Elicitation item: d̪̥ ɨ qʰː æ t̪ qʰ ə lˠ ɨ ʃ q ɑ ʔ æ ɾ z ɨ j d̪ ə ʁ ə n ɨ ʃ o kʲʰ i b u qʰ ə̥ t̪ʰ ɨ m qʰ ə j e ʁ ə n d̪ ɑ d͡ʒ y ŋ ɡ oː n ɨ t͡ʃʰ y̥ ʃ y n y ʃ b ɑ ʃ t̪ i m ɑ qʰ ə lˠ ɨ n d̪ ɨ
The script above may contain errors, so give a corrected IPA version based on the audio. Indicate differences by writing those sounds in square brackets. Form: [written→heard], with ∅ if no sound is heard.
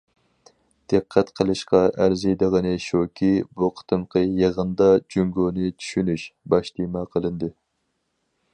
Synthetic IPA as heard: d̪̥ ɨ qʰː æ t̪ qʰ ə lˠ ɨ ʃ q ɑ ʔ æ ɾ z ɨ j d̪ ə ʁ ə n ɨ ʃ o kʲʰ i b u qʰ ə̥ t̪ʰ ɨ m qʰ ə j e ʁ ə n d̪ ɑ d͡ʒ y ŋ ɡ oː n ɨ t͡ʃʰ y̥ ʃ y n y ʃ b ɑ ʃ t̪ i m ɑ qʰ ə lˠ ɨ n d̪ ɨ